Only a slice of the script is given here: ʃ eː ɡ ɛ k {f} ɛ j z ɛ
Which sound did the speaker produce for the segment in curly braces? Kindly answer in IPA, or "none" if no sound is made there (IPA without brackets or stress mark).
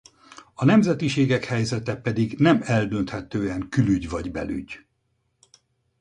h